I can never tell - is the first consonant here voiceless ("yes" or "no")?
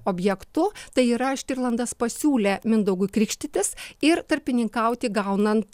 no